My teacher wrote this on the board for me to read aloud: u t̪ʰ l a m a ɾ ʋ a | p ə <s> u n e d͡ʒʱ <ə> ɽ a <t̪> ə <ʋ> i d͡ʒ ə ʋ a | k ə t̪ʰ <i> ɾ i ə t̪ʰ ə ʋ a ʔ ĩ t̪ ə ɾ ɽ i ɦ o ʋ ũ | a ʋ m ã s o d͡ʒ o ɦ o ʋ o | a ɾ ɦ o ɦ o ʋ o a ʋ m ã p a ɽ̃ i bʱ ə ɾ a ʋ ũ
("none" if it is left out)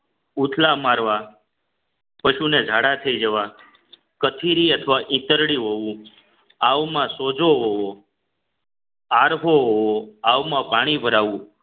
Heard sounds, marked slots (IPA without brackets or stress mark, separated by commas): ʃ, a, t̪ʰ, none, i